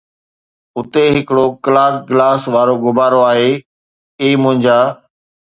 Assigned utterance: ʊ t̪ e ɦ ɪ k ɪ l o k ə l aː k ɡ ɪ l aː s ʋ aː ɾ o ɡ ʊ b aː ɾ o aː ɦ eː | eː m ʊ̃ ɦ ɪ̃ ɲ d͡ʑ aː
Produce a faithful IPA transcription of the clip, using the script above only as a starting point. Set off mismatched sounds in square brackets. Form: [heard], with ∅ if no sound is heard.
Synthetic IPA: ʊ t̪ e ɦ ɪ k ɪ [ɽ] o k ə l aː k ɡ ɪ l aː s ʋ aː ɾ o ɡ ʊ b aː ɾ o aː ɦ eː | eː m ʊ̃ ɦ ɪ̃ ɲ d͡ʑ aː

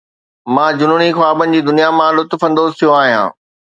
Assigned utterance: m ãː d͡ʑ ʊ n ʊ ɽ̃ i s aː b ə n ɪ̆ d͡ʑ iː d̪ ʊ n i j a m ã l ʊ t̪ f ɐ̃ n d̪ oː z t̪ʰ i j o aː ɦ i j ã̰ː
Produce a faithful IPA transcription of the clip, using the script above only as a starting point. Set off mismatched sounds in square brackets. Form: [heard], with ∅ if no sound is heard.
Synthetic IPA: m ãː d͡ʑ ʊ n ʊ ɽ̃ i [x] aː b ə n ɪ̆ d͡ʑ iː d̪ ʊ n i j a m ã l ʊ t̪ f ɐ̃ n d̪ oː z t̪ʰ i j o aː ɦ i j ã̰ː

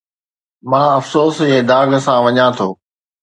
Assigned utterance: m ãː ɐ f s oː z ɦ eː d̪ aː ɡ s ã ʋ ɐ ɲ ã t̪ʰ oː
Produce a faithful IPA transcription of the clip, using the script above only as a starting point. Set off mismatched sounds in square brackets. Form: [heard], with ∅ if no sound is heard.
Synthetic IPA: m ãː ɐ f s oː [s] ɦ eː d̪ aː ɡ s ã ʋ ɐ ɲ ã t̪ʰ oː

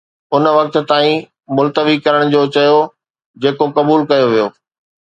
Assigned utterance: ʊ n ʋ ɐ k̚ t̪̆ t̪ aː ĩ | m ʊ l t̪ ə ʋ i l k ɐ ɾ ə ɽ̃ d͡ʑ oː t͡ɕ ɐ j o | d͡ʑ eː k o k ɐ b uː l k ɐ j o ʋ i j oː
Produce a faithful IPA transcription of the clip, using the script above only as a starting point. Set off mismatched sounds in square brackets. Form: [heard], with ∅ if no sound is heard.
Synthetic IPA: ʊ n ʋ ɐ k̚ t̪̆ t̪ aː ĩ | m ʊ l t̪ ə ʋ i [∅] k ɐ ɾ ə ɽ̃ d͡ʑ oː t͡ɕ ɐ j o | d͡ʑ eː k o k ɐ b uː l k ɐ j o ʋ i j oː

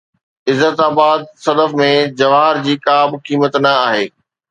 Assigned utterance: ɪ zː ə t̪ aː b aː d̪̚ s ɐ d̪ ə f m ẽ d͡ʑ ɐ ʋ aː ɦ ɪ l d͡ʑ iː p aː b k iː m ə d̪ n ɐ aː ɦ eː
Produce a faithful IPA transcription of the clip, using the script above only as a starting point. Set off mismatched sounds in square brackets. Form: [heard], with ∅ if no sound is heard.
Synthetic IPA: ɪ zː ə t̪ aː b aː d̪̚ s ɐ d̪ ə f m ẽ d͡ʑ ɐ ʋ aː ɦ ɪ [ɾ] d͡ʑ iː [k] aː b k iː m ə [t̪] n ɐ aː ɦ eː

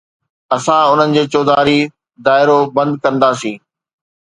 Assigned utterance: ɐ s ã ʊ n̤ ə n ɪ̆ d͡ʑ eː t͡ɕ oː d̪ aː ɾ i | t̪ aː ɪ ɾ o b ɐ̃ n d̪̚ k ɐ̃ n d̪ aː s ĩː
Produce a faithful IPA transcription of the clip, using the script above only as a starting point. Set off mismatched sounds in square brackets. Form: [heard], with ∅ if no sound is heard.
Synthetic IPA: ɐ s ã ʊ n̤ ə n ɪ̆ d͡ʑ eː t͡ɕ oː d̪ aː ɾ i | [d̪] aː ɪ ɾ o b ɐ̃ n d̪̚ k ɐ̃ n d̪ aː s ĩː

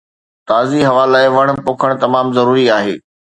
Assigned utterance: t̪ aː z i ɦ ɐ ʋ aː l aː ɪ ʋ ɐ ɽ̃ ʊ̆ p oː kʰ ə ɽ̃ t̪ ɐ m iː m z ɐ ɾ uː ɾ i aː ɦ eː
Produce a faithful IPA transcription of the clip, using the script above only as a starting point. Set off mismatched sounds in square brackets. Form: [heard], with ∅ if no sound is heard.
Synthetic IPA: t̪ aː z i ɦ ɐ ʋ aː l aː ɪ ʋ ɐ ɽ̃ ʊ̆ p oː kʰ ə ɽ̃ t̪ ɐ m [aː] m z ɐ ɾ uː ɾ i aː ɦ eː

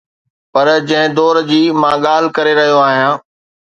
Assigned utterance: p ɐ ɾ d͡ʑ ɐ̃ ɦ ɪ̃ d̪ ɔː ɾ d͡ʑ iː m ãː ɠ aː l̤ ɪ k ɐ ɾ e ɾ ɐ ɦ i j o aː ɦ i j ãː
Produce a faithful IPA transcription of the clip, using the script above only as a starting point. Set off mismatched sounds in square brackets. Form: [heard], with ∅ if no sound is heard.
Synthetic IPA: p ɐ ɾ d͡ʑ ɐ̃ ɦ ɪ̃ d̪ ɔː ɾ d͡ʑ iː m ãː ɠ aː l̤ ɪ k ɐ ɾ e ɾ ɐ ɦ i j o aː ɦ i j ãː

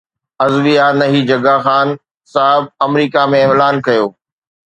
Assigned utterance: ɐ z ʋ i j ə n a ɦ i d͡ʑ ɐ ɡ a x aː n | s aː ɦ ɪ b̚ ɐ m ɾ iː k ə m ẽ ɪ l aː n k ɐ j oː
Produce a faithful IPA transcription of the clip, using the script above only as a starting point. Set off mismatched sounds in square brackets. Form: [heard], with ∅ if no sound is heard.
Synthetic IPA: ɐ z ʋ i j [a] n [ɐ] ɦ i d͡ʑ ɐ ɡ a x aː n | s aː ɦ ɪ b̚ ɐ m ɾ iː k [a] m ẽ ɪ l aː n k ɐ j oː

